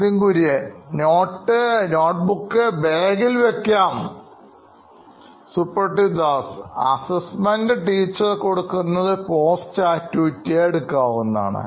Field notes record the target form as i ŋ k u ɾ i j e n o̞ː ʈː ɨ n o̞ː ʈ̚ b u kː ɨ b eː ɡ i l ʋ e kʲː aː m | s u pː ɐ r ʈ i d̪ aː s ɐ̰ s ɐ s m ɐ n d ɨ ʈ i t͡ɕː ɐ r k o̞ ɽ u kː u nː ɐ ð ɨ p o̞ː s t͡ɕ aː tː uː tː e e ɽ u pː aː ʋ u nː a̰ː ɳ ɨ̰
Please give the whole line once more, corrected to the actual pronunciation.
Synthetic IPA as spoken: i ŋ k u ɾ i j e n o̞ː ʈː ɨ n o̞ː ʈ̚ b u kː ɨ b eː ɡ i l ʋ e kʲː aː m | s u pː ɐ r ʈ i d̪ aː s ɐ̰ s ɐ s m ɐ n d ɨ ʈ iː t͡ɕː ɐ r k o̞ ɽ u kː u nː ɐ ð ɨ p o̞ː s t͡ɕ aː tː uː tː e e ɽ u kː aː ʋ u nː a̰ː ɳ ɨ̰